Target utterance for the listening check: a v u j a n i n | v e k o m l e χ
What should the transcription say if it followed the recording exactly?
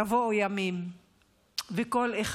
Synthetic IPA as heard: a v o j a m i m | v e k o l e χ